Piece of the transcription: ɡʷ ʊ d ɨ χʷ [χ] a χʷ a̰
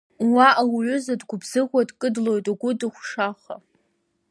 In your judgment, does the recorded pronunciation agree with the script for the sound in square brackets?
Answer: no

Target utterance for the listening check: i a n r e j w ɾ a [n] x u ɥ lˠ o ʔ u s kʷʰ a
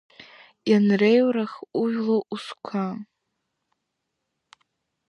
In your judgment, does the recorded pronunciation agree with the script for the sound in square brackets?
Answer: no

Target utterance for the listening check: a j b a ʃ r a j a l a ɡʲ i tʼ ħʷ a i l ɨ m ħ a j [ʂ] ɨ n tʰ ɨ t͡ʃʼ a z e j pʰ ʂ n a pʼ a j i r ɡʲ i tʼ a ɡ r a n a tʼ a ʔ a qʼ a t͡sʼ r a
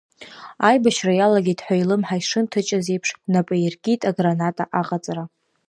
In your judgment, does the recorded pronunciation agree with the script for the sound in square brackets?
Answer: yes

